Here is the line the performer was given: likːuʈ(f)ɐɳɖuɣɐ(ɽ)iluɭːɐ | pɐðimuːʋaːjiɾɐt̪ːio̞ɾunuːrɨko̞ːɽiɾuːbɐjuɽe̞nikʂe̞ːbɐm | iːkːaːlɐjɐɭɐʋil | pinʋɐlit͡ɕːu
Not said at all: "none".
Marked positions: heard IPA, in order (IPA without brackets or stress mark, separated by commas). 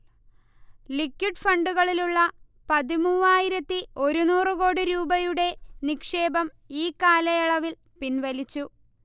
f, ɭ